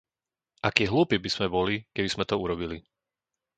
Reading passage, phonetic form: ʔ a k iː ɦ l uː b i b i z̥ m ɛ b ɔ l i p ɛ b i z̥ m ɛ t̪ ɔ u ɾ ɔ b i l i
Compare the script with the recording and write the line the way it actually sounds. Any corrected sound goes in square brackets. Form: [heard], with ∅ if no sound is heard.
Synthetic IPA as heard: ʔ a k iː ɦ l uː [p] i b i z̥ m ɛ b ɔ l i [k] ɛ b i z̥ m ɛ t̪ ɔ u ɾ ɔ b i l i